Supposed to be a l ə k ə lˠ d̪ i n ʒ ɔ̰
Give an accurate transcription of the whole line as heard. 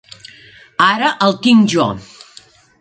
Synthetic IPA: a ɾ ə ʔ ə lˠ t̪ i ŋ ʒ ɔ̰